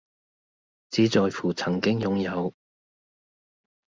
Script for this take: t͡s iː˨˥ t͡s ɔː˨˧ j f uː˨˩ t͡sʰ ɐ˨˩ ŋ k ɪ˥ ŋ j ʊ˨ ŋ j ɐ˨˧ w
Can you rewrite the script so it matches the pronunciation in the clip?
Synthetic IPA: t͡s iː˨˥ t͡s ɔː˨˧ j f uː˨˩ t͡sʰ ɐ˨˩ ŋ k ɪ˥ ŋ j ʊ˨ ŋ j ɐ˨˧ w

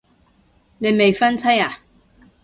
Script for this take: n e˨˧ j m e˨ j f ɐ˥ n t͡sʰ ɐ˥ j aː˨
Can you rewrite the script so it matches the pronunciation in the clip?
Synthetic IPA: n e˨˧ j m e˨ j f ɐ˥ n t͡sʰ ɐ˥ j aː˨

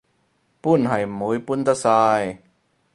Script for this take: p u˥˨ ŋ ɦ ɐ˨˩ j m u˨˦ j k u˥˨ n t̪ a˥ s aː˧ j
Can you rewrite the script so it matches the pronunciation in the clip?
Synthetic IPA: p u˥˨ n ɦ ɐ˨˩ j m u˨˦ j p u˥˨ n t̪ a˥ s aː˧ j

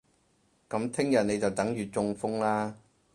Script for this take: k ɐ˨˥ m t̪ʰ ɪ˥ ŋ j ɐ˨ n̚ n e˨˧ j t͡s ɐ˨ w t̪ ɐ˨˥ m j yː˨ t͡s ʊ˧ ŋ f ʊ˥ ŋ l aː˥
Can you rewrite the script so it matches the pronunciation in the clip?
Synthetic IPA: k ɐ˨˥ m t̪ʰ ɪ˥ ŋ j ɐ˨ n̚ n e˨˧ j t͡s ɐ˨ w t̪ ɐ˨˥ ŋ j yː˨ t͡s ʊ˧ ŋ f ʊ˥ ŋ l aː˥

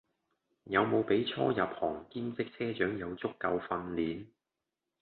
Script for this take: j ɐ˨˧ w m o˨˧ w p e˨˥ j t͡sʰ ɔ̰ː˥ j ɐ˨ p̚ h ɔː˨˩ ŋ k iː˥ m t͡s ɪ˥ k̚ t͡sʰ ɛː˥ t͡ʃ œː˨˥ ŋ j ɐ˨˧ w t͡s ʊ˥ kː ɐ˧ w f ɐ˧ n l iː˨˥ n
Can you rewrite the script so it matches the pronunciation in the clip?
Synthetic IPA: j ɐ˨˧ w m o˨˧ w p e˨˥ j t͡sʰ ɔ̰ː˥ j ɐ˨ p̚ h ɔː˨˩ ŋ k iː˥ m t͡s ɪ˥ k̚ t͡sʰ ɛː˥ t͡ʃ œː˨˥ ŋ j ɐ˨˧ w t͡s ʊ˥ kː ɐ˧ w f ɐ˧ n l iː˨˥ n

